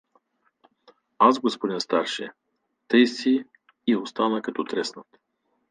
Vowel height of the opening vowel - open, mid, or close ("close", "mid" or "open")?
open